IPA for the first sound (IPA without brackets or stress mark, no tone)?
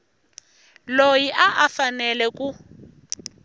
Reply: l